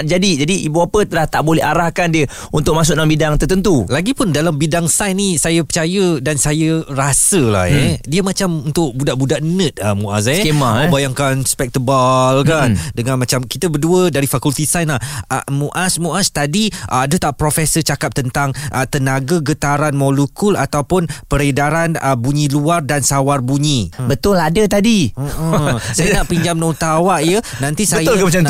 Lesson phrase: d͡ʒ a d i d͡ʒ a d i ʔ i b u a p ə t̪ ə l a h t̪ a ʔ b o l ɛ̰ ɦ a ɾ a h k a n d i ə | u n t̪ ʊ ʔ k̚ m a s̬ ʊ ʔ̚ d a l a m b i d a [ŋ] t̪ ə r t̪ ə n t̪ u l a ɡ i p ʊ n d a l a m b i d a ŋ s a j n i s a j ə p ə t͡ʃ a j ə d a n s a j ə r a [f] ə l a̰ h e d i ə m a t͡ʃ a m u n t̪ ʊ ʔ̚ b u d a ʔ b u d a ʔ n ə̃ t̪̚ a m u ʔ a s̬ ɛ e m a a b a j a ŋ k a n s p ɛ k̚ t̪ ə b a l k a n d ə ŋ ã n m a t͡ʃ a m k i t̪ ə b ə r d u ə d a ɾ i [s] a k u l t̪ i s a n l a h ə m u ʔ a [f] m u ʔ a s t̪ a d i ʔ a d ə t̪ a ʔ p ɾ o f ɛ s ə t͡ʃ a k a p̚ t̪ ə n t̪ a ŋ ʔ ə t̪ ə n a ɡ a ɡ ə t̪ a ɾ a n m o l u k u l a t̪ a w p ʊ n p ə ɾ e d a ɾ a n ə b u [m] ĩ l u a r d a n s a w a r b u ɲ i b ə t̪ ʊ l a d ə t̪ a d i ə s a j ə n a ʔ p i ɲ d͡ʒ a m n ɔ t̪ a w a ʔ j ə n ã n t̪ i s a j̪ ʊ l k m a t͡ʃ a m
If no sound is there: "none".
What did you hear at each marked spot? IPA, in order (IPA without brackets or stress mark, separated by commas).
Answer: ŋ, s, f, s, ɲ